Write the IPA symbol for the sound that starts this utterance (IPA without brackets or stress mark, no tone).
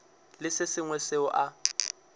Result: l